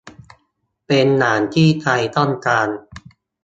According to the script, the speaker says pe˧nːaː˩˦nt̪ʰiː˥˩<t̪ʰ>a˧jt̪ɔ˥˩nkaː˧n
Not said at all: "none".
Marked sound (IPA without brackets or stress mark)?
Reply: t̪ʰ